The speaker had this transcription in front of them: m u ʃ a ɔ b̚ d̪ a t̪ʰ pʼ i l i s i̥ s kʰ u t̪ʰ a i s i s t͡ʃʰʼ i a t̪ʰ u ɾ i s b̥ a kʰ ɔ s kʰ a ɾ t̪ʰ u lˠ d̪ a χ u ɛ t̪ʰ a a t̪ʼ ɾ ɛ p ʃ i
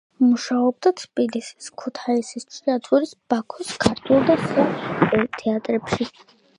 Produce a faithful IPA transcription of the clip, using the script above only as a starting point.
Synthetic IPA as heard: m u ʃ a ɔ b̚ d̪ a t̪ʰ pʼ i l i s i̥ s kʰ u t̪ʰ a i s i s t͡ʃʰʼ i a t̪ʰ u ɾ i s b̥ a kʰ ɔ s kʰ a ɾ t̪ʰ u lˠ d̪ a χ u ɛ t̪ʰ ɛ a t̪ʼ ɾ ɛ p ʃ i